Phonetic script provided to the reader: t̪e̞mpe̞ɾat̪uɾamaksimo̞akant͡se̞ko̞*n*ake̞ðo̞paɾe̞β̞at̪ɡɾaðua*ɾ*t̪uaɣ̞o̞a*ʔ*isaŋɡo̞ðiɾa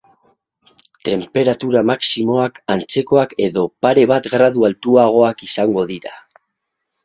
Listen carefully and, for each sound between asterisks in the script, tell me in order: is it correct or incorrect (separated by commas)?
incorrect, incorrect, incorrect